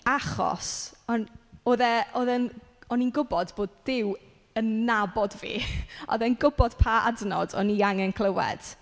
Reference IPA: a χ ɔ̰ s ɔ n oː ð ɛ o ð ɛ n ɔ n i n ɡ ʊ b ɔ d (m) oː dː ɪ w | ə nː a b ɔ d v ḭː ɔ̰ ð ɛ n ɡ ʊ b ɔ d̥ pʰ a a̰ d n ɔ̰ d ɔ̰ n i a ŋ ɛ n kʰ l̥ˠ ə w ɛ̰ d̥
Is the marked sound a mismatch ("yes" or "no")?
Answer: yes